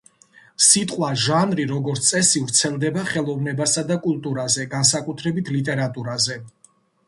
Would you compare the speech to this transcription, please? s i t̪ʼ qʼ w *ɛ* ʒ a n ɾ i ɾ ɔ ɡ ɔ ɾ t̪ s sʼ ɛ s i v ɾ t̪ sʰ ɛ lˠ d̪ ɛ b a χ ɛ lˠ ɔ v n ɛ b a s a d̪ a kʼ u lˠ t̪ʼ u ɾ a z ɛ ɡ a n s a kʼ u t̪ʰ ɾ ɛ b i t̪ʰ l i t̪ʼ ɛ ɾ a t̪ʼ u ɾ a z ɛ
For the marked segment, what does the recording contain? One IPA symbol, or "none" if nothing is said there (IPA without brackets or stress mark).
a